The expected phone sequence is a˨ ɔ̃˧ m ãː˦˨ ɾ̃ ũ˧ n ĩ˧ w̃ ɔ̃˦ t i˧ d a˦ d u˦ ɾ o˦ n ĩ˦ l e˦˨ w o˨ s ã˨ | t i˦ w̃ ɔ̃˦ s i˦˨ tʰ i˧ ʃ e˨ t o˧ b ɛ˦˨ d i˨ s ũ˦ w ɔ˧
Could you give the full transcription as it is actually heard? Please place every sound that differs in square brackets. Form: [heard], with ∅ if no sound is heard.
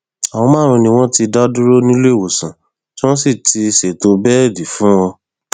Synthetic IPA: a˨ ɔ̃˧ m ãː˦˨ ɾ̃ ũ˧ n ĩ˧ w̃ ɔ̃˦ t i˧ d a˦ d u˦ ɾ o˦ n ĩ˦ l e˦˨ w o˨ s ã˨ | t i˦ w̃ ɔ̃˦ s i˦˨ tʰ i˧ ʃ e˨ t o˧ b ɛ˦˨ d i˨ [f] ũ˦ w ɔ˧